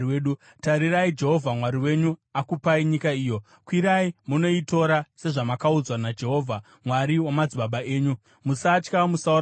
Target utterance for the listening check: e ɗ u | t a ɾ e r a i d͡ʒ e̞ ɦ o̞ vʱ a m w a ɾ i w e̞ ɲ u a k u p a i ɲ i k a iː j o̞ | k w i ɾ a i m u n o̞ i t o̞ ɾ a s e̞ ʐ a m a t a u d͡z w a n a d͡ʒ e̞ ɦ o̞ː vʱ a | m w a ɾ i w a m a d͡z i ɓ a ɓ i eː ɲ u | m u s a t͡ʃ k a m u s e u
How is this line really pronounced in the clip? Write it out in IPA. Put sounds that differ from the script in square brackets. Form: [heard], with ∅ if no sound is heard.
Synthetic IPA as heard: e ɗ u | t a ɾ [i] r a i d͡ʒ e̞ ɦ o̞ vʱ a m w a ɾ i w e̞ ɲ u a k u p a i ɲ i k a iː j o̞ | k w i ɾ a i m u n o̞ i t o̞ ɾ a s e̞ ʐ a m a [k] a u d͡z w a n a d͡ʒ e̞ ɦ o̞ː vʱ a | m w a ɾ i w a m a d͡z i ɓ a ɓ [a] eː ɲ u | m u s a t͡ʃ k a m u s [a] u